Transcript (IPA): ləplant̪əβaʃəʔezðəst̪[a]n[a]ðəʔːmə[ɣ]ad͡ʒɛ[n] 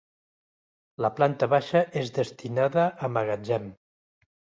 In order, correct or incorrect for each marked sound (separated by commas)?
incorrect, correct, correct, incorrect